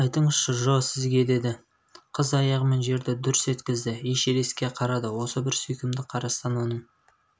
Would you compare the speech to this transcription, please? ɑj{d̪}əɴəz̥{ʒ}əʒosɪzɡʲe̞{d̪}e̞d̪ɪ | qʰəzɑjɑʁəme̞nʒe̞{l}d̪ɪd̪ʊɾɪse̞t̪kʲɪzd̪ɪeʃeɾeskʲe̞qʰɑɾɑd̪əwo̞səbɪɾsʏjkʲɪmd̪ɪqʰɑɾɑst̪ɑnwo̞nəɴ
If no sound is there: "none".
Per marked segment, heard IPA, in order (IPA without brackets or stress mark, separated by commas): t̪, ʃ, d̪, ɾ